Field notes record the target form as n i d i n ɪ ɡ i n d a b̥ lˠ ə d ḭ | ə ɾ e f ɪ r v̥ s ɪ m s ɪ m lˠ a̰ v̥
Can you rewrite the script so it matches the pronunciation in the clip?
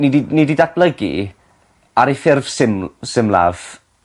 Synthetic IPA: n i d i n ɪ d i d a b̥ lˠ ə ɡ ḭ | a ɾ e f ɪ r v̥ s ɪ m s ɪ m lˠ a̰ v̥